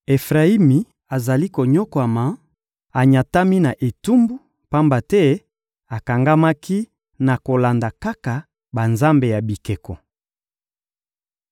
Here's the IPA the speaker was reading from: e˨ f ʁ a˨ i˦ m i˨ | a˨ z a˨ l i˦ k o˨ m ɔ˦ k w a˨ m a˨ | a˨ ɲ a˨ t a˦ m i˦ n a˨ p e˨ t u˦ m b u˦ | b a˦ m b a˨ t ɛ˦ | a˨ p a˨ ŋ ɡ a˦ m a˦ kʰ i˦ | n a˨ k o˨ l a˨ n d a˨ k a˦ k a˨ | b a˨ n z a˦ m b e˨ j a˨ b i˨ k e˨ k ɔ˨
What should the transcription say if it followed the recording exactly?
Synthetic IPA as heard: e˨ f ʁ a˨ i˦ m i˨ | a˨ z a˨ l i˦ k o˨ ɲ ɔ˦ k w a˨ m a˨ | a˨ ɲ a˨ t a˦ m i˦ n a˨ ʔ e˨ t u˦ m b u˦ | p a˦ m b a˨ t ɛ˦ | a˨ k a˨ ŋ ɡ a˦ m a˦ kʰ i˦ | n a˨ k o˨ l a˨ n d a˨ k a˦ k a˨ | b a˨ n z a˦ m b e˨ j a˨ b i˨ k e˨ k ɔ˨

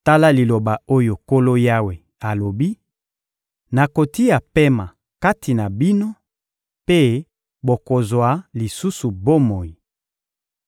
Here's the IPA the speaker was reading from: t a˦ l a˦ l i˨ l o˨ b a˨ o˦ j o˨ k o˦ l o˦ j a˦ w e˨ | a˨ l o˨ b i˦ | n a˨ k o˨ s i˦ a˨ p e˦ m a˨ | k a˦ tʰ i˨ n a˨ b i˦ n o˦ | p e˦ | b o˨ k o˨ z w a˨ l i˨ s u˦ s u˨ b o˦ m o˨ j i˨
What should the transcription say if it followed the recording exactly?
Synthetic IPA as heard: t a˦ l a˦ l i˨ l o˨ b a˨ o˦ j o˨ k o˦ l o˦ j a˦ w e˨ | a˨ l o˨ b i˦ | n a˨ k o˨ t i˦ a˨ p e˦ m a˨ | k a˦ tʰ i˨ n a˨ b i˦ n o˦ | p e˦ | b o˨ k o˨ z w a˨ l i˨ s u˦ s u˨ b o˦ m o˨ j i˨

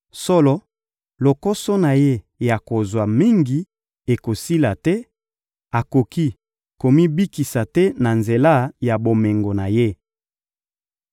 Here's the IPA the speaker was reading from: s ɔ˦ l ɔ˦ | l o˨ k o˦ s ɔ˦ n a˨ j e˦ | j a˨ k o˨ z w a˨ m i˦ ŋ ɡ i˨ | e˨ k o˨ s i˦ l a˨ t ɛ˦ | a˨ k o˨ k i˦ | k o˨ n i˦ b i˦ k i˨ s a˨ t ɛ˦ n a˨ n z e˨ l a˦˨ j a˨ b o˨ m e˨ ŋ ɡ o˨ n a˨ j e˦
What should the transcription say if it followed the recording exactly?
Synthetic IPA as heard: s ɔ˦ l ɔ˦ | l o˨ k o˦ s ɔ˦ n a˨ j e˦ | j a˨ k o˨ z w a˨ m i˦ ŋ ɡ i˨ | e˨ k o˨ s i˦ l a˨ t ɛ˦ | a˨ k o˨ k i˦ | k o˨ m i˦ b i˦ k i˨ s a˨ t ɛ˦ n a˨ n z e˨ l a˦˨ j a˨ b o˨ m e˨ ŋ ɡ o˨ n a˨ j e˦

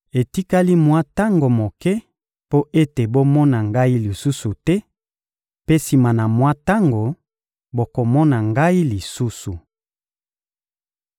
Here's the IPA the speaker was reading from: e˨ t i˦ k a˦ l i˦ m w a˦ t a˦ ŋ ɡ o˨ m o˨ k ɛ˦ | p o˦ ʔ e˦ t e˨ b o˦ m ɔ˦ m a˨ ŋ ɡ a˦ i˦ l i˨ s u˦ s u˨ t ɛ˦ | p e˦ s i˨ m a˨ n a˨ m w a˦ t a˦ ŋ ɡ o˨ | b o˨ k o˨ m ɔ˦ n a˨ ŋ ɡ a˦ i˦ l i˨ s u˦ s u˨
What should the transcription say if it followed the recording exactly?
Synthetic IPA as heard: e˨ t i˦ k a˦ l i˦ m w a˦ t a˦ ŋ ɡ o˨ m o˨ k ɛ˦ | p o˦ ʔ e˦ t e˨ b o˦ m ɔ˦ n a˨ ŋ ɡ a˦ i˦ l i˨ s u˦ s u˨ t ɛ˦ | p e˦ s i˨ m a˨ n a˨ m w a˦ t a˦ ŋ ɡ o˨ | b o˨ k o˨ m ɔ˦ n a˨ ŋ ɡ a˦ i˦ l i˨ s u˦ s u˨

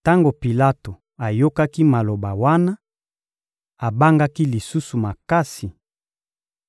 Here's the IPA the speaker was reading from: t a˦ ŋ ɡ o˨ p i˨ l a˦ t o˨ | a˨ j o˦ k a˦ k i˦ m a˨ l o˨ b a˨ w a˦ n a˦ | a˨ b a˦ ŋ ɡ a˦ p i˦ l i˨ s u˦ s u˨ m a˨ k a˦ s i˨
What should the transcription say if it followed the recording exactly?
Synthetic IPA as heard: t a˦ ŋ ɡ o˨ p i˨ l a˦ t o˨ | a˨ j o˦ k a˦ k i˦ m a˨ l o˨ b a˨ w a˦ n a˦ | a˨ b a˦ ŋ ɡ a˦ k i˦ l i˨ s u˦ s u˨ m a˨ k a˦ s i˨

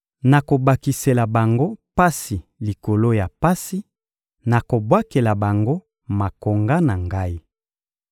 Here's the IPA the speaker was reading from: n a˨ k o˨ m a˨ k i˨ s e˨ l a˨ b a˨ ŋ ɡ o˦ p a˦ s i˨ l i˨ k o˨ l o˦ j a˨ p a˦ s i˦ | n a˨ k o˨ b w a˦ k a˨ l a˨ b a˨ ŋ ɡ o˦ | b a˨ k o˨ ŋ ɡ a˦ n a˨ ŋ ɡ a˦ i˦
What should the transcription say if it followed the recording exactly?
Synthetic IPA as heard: n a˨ k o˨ b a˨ k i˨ s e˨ l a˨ b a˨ ŋ ɡ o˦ p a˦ s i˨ l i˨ k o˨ l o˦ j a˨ p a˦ s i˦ | n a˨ k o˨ b w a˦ k e˨ l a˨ b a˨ ŋ ɡ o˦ | m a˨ k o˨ ŋ ɡ a˦ n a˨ ŋ ɡ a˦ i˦

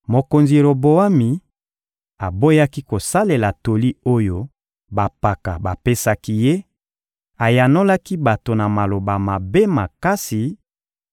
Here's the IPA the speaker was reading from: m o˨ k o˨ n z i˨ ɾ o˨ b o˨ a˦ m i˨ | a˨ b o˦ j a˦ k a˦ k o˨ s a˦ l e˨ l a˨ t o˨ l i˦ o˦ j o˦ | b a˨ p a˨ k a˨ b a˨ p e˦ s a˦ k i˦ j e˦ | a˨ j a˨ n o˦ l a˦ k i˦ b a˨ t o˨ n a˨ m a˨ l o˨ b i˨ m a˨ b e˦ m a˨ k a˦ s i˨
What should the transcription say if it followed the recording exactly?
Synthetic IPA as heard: m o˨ k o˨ n z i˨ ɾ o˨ b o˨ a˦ m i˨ | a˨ b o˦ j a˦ k i˦ k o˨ s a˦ l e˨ l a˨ t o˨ l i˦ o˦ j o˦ | b a˨ p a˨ k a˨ b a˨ p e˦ s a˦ k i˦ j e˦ | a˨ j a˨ n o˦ l a˦ k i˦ b a˨ t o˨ n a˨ m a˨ l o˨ b a˨ m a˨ b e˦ m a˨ k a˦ s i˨

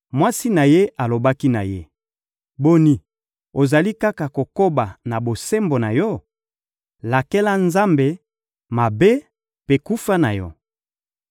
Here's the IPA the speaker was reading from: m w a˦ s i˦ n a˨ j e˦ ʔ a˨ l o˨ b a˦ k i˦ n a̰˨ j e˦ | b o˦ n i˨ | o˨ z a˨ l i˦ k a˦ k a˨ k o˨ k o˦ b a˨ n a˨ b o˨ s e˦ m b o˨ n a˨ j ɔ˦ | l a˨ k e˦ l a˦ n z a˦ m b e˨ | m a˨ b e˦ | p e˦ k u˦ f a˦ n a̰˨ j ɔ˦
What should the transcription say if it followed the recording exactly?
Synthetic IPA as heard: m w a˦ s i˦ n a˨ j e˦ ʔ a˨ l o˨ b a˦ k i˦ n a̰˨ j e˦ | b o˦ n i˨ | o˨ z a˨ l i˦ k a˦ k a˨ k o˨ k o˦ b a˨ n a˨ b o˨ s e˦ m b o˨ n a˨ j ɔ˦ | l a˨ k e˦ l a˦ n z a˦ m b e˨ | m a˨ b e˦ | p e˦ k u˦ f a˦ n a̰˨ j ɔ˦

